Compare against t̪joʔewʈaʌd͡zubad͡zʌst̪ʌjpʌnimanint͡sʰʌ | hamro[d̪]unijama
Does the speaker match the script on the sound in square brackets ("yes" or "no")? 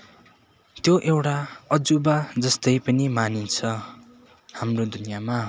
yes